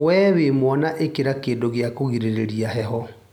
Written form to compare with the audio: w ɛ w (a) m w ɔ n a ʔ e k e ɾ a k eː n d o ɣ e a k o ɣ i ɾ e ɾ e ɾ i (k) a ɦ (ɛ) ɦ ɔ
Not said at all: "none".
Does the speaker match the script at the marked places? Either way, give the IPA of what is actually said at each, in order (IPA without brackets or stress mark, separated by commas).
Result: e, none, ɛ